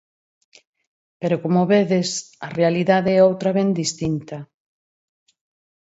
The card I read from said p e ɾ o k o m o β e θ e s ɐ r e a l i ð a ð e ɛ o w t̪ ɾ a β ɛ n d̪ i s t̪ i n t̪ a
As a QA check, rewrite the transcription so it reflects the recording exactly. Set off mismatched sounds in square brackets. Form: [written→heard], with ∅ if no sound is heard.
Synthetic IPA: p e ɾ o k o m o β e [θ→ð] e s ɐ r e a l i ð a ð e ɛ o w t̪ ɾ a β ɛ n d̪ i s t̪ i n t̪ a